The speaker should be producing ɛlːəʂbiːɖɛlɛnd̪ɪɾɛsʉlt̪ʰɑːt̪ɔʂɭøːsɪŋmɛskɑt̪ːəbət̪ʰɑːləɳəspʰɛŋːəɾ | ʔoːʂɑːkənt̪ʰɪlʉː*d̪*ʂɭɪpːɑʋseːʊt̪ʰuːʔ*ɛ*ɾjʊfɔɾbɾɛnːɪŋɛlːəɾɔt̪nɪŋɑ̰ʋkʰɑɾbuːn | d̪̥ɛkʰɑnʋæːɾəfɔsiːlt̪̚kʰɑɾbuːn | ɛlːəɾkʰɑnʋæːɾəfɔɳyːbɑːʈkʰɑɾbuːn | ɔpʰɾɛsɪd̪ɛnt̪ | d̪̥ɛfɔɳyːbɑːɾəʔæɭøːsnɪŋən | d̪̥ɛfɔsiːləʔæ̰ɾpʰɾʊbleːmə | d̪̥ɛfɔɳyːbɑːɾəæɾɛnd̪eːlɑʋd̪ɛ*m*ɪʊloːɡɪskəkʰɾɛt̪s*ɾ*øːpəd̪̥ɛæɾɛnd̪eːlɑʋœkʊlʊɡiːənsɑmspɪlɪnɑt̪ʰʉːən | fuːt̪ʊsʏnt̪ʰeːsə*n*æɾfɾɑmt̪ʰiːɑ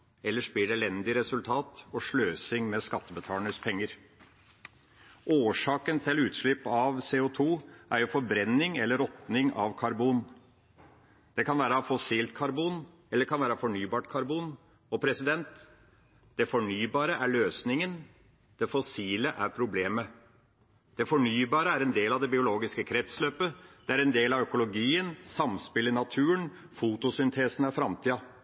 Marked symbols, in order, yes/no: no, no, no, no, yes

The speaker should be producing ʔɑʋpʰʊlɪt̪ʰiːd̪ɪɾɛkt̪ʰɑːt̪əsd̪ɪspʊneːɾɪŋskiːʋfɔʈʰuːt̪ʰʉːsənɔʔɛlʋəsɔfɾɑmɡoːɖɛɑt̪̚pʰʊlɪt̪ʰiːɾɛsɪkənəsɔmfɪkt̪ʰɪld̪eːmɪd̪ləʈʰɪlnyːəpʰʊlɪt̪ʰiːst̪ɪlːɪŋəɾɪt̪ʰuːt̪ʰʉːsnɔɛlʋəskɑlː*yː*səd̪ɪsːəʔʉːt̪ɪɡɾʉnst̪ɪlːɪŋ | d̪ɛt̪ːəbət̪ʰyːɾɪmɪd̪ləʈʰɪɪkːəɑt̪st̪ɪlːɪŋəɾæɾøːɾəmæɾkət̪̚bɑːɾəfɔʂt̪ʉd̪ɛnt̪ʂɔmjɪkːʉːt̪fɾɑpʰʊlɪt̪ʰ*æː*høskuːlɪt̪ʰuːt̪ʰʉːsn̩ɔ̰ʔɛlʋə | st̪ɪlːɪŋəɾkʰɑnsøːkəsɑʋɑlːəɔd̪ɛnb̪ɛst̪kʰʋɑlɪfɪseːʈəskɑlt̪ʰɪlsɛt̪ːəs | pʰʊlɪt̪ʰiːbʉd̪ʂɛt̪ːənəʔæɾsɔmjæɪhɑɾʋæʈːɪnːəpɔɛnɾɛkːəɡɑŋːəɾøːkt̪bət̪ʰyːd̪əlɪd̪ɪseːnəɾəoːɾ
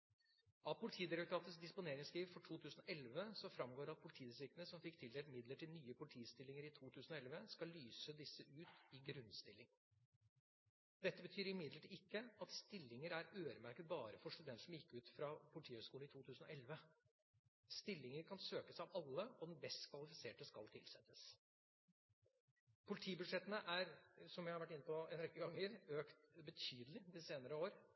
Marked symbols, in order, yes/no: yes, no

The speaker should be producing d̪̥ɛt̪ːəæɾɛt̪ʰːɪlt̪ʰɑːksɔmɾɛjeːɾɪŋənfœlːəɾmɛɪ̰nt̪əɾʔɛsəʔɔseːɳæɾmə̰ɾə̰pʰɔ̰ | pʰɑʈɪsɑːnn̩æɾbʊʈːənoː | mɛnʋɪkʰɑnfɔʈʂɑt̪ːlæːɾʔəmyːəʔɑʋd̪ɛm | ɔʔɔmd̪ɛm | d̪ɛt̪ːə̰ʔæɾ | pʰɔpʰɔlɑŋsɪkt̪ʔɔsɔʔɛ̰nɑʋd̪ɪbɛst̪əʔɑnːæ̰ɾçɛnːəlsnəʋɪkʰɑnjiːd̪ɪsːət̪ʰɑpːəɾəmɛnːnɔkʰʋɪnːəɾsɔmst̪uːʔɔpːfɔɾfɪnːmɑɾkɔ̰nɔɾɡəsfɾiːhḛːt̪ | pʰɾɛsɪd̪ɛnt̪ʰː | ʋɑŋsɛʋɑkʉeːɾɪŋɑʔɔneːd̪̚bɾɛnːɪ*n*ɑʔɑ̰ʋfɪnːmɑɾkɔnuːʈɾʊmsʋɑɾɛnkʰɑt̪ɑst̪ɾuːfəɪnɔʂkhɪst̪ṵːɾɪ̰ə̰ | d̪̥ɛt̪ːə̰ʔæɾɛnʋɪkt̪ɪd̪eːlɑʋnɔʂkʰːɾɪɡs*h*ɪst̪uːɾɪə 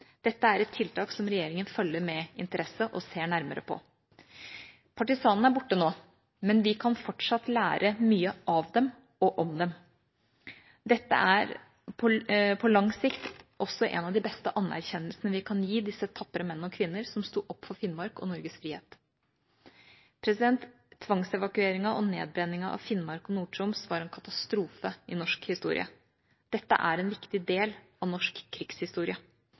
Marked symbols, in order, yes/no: no, yes

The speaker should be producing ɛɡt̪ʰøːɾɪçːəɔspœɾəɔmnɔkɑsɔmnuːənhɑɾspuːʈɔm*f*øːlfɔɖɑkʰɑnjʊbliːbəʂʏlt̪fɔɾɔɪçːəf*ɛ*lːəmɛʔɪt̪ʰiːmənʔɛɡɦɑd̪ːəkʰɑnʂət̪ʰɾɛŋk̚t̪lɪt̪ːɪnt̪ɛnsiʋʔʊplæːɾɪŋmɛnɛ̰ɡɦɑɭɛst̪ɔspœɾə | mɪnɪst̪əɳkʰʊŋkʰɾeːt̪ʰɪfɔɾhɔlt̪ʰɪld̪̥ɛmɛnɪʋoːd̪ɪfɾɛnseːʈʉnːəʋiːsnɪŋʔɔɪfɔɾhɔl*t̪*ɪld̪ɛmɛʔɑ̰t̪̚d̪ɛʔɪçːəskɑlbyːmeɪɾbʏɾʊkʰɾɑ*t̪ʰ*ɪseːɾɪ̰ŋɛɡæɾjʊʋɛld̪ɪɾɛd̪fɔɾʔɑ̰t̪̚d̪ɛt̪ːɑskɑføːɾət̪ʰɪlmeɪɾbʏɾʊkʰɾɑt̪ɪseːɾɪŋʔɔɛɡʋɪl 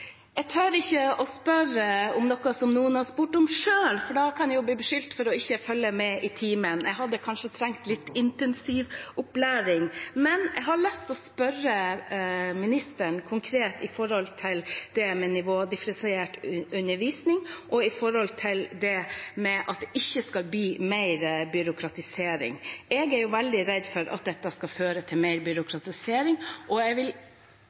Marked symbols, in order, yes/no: no, no, no, no

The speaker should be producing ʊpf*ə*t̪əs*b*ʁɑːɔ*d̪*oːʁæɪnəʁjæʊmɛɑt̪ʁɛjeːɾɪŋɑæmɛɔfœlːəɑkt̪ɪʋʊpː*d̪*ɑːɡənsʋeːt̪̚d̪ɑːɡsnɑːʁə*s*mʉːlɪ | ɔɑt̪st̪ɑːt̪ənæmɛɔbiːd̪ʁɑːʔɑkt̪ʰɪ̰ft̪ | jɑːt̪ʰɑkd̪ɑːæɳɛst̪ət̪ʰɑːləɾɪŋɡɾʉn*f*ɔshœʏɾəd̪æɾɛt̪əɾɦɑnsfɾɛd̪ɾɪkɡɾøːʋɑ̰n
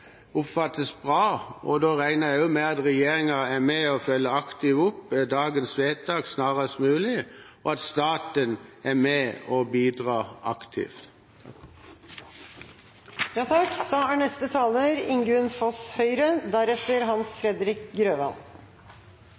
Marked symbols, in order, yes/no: no, yes, yes, yes, yes, yes

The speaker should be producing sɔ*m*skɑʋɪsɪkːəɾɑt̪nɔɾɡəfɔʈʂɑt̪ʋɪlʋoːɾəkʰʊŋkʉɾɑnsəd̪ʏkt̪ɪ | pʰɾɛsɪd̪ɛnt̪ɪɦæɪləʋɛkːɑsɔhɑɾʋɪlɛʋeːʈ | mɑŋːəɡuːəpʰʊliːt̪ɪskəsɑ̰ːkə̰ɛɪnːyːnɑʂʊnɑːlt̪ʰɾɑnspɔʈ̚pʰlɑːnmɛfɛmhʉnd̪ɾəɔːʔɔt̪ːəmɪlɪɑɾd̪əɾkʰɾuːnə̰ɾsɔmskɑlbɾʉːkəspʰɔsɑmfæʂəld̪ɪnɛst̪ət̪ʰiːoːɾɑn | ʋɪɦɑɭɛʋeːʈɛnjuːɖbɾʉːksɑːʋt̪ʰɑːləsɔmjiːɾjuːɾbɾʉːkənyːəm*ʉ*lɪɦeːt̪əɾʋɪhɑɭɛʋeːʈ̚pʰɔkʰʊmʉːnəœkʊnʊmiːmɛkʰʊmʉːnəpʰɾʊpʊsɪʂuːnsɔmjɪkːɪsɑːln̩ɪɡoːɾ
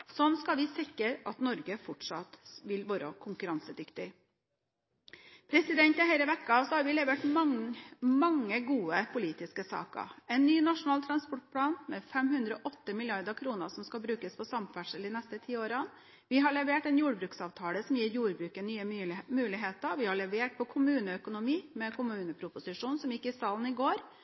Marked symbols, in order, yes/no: no, no

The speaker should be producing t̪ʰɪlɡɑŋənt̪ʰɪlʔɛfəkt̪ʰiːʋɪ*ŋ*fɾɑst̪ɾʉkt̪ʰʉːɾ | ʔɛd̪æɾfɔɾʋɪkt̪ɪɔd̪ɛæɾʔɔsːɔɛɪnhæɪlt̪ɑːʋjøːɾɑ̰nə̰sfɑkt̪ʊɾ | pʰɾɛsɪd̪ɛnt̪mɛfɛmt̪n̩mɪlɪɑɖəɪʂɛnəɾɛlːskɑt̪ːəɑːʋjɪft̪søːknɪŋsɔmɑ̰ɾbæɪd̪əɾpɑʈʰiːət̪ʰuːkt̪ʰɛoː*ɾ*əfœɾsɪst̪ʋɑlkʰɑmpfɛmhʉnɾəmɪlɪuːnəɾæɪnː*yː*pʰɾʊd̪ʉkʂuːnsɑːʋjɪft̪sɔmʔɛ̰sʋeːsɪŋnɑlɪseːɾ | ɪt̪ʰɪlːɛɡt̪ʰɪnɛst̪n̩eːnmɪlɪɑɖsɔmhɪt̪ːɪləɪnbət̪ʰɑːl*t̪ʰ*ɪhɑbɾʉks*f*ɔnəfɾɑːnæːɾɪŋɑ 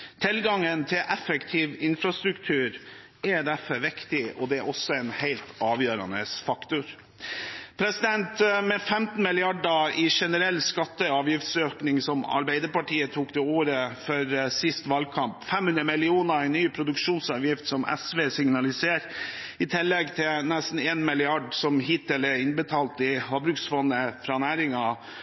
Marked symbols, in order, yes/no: no, yes, yes, no, yes

